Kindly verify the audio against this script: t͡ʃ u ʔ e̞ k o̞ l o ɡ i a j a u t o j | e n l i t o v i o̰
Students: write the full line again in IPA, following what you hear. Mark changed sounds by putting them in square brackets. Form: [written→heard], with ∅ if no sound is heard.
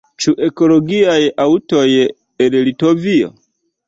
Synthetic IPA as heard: t͡ʃ u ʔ e̞ k o̞ l o ɡ i a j a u t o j | e n l i t o v i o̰